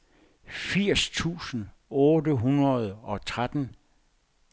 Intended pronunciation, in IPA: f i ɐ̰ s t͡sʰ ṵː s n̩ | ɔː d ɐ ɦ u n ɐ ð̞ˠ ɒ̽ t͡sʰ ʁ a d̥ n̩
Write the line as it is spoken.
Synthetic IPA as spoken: f i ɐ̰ s t͡sʰ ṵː s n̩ | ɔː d ə ɦ u n ɐ ð̞ˠ ɒ̽ t͡sʰ ʁ a d̥ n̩